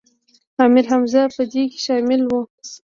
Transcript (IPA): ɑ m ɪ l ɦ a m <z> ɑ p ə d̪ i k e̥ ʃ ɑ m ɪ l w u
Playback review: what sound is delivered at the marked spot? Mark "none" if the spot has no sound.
z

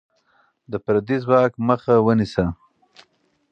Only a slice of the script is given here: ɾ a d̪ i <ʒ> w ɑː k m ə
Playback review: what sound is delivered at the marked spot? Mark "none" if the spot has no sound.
z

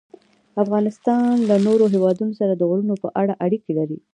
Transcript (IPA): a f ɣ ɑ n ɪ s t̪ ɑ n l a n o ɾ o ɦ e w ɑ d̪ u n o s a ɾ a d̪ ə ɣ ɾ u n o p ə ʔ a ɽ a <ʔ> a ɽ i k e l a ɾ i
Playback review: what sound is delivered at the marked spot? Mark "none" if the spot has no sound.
ʔ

